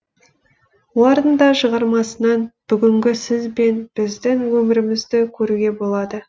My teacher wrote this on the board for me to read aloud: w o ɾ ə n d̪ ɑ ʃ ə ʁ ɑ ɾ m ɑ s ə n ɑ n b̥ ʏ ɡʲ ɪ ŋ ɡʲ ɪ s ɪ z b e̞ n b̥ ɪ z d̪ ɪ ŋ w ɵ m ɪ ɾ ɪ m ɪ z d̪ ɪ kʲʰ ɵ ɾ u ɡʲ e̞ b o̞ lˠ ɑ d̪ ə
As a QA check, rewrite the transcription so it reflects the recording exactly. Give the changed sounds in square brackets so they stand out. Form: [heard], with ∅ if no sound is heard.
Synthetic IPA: w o ɾ ə n d̪ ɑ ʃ ə ʁ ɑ ɾ m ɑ s ə n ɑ n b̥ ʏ ɡʲ ɪ ŋ ɡʲ ɪ s ɪ z b e̞ n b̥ ɪ z d̪ ɪ ŋ w ɵ m ɪ ɾ ɪ m ɪ z d̪ ɪ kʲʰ ɵ ɾ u ɡʲ e̞ b o̞ lˠ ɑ d̪ ə